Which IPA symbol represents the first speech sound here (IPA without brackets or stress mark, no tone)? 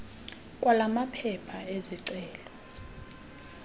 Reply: kʼ